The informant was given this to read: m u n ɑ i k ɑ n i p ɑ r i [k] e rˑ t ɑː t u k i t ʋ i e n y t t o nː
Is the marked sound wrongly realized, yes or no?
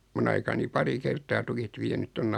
no